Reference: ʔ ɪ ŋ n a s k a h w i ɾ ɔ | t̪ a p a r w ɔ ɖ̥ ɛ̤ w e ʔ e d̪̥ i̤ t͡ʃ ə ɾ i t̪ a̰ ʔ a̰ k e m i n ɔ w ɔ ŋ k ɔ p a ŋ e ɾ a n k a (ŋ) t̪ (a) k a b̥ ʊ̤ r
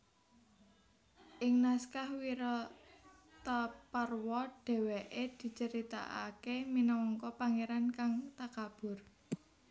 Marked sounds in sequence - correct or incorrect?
correct, correct

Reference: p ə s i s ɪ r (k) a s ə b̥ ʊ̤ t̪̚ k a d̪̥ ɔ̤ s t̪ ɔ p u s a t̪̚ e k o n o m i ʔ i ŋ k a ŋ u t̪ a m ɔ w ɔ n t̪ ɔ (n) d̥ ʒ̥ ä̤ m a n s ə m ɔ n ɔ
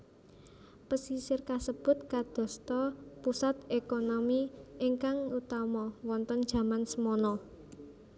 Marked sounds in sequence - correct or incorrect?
correct, correct

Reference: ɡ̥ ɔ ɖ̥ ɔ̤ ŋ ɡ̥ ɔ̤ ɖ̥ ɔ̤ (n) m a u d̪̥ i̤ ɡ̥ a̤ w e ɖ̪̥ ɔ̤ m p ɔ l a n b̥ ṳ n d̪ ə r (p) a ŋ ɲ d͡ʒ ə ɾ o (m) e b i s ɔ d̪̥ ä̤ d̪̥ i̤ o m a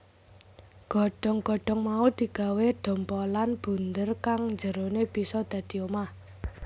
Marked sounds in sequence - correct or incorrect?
incorrect: ŋ, incorrect: k, incorrect: n

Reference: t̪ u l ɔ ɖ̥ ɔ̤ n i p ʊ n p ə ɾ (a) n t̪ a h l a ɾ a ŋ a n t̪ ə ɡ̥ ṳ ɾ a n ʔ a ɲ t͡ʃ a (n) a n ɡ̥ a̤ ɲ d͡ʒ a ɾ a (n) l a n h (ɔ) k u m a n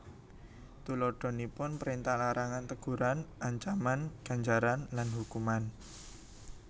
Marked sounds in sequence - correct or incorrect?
incorrect: i, incorrect: m, correct, incorrect: u

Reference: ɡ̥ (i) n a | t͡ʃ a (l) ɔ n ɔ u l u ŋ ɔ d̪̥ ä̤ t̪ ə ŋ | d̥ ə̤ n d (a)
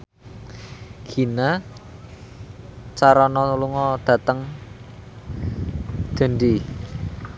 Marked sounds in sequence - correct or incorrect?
correct, incorrect: ɾ, incorrect: i

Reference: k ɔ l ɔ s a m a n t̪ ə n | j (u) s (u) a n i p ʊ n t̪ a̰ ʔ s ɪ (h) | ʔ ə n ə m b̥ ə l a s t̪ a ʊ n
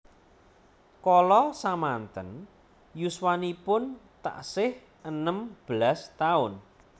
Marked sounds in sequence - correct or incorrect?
correct, incorrect: w, correct

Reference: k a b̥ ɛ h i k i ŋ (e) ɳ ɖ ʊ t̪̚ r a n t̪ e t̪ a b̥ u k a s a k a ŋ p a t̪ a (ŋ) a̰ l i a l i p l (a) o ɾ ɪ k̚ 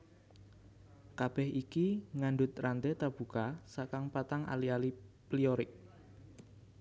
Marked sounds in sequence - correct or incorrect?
incorrect: a, correct, incorrect: i

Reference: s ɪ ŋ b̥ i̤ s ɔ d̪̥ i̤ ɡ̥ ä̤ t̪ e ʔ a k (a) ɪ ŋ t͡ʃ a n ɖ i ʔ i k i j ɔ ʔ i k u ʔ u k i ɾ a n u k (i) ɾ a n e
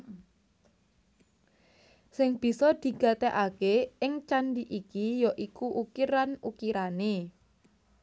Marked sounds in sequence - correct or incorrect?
incorrect: e, correct

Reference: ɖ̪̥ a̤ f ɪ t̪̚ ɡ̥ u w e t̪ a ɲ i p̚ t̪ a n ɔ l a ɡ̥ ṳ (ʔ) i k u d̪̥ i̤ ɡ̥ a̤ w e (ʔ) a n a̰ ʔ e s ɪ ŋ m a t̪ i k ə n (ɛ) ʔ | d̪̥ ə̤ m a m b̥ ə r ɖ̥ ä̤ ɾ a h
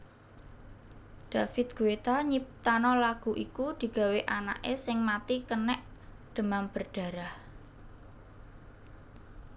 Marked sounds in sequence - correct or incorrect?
correct, correct, correct

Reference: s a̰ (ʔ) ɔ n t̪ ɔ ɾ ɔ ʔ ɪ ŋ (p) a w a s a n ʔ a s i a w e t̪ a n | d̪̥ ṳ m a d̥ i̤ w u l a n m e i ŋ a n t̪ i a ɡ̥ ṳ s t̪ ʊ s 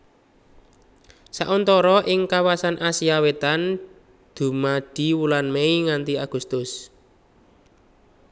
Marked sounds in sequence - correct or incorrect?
correct, incorrect: k

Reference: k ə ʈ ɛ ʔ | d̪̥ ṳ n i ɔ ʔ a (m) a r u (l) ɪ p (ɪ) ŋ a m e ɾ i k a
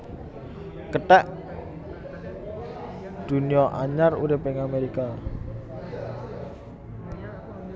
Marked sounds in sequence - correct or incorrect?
incorrect: ɲ, incorrect: ɾ, correct

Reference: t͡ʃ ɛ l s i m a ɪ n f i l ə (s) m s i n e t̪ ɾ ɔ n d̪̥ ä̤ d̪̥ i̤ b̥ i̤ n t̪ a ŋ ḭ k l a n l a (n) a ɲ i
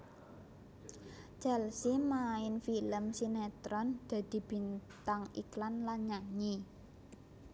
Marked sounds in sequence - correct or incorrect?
incorrect: none, incorrect: ɲ

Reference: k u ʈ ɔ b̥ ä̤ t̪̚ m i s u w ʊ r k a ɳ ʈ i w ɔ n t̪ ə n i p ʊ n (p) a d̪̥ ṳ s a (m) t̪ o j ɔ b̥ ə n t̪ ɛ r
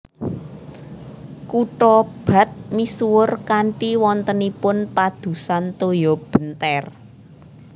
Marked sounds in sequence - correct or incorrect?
correct, incorrect: n

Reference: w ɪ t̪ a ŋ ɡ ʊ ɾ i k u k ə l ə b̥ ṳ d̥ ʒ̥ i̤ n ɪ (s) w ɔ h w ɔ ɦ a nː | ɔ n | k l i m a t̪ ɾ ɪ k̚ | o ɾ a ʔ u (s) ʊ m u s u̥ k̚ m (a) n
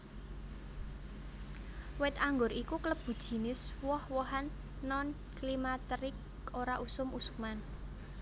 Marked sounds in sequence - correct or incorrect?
correct, correct, correct

